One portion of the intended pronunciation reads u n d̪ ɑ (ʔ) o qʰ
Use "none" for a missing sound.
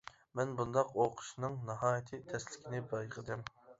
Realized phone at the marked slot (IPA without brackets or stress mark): q